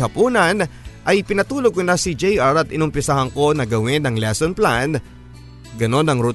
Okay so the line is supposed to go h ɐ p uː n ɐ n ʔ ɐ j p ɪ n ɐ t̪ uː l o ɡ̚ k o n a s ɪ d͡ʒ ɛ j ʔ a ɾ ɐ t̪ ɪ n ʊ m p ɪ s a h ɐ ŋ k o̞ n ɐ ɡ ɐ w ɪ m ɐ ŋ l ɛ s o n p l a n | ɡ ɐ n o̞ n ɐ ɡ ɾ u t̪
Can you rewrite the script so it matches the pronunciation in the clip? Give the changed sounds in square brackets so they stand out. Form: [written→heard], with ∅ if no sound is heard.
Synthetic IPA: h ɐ p uː n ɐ n ʔ ɐ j p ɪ n ɐ t̪ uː l o ɡ̚ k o n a s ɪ d͡ʒ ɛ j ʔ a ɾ ɐ t̪ ɪ n ʊ m p ɪ s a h ɐ ŋ k o̞ n ɐ ɡ ɐ w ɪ [m→n] ɐ ŋ l ɛ s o n p l a n | ɡ ɐ n o̞ n ɐ [ɡ→ŋ] ɾ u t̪